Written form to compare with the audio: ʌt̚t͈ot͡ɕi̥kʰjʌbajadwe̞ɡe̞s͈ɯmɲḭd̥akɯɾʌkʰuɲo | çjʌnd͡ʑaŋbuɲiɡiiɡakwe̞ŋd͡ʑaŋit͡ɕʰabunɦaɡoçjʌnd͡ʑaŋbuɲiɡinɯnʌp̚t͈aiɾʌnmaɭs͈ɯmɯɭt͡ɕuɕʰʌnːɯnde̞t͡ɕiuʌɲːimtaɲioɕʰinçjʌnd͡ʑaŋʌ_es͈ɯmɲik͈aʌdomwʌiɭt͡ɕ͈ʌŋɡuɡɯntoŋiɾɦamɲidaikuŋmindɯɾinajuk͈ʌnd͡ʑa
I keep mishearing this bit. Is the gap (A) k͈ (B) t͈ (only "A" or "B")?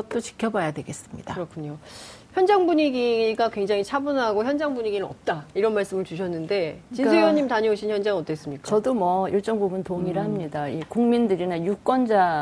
B